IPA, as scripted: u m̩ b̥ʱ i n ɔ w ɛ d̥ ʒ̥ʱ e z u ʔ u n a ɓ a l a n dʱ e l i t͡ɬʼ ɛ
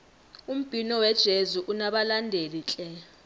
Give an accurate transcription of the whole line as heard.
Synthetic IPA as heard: u m̩ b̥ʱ i n ɔ w ɛ d̥ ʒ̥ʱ e z u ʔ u n a ɓ a l a n dʱ e l i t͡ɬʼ ɛ

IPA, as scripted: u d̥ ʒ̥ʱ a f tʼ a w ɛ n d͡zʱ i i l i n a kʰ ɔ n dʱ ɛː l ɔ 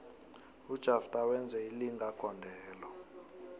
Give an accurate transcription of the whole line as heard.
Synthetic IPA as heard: u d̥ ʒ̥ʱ a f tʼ a w ɛ n d͡zʱ ɛ i l i ŋ a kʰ ɔ n dʱ ɛː l ɔ

